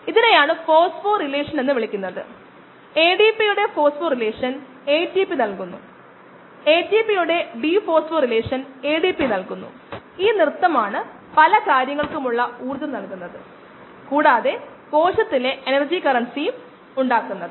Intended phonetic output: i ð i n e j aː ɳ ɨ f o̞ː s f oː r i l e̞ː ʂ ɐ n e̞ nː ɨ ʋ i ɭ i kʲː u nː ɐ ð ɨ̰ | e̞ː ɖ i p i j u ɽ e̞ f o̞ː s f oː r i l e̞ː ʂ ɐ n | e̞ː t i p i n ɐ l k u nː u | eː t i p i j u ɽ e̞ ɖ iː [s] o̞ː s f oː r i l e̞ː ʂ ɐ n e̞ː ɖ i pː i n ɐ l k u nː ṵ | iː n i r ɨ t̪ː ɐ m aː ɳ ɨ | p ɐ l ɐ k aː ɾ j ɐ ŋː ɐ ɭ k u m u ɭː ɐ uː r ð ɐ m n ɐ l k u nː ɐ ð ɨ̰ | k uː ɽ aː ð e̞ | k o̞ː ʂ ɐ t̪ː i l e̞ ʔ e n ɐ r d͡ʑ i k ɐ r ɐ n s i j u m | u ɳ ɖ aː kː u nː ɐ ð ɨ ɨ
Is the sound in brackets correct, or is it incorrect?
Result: incorrect